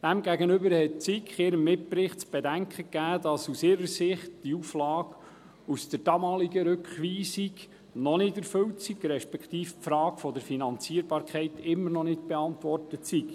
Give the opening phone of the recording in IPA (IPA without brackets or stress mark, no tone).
d̥